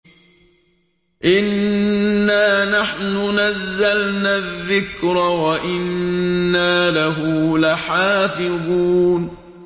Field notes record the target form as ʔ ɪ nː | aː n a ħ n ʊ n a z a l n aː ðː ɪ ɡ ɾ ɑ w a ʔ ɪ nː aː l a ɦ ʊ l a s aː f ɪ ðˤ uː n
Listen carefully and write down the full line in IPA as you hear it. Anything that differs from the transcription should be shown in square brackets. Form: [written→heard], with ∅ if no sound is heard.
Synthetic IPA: ʔ ɪ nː | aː n a ħ n ʊ n a [z→zː] a l n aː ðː ɪ [ɡ→k] ɾ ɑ w a ʔ ɪ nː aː l a ɦ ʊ l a [s→ħ] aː f ɪ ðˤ uː n